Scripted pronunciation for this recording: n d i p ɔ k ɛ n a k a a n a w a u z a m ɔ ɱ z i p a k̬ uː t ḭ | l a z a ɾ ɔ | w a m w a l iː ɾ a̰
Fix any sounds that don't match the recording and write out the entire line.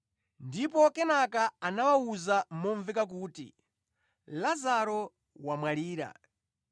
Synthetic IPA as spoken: n d i p ɔ k ɛ n a k a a n a w a u z a m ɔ ɱ v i k a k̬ uː t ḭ | l a z a ɾ ɔ | w a m w a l iː ɾ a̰